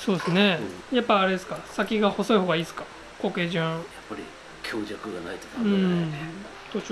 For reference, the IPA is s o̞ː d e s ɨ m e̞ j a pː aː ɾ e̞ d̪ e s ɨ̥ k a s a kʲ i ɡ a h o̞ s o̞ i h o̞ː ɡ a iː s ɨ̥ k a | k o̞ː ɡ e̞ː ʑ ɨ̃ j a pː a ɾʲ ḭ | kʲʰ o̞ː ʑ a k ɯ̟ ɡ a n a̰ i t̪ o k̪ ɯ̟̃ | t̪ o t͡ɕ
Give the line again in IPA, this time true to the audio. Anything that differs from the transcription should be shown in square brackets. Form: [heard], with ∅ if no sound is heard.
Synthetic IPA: s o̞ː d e s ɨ [n] e̞ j a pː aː ɾ e̞ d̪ e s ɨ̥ k a s a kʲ i ɡ a h o̞ s o̞ i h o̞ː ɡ a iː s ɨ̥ k a | k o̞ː [k] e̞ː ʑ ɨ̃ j a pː a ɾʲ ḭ | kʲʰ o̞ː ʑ a k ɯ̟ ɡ a n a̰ i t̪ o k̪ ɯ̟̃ | t̪ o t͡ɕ

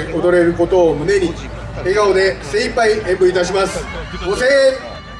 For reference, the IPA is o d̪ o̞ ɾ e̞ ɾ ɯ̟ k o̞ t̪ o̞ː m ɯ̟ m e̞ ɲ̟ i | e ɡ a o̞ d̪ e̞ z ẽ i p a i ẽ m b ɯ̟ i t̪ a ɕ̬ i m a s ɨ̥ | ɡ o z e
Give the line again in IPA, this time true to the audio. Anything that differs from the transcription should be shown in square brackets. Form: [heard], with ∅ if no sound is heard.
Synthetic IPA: o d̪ o̞ ɾ e̞ ɾ ɯ̟ k o̞ t̪ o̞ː m ɯ̟ [n] e̞ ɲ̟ i | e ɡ a o̞ d̪ e̞ [s] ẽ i p a i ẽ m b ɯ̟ i t̪ a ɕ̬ i m a s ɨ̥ | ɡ o [s] e

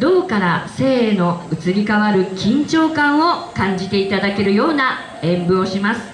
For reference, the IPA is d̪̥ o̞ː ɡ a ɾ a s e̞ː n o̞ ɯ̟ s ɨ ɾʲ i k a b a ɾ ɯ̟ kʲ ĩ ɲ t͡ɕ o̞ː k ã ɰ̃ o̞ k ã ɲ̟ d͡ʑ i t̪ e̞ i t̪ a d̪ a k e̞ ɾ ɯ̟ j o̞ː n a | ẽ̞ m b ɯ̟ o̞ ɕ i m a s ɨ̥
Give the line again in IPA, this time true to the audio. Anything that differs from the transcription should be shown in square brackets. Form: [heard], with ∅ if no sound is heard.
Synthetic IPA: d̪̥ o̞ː [k] a ɾ a s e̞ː n o̞ ɯ̟ [t͡s] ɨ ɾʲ i k a [β] a ɾ ɯ̟ kʲ ĩ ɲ t͡ɕ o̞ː k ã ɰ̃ o̞ k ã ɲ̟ d͡ʑ i t̪ e̞ i t̪ a d̪ a k e̞ ɾ ɯ̟ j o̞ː n a | ẽ̞ m b ɯ̟ o̞ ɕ i m a s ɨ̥

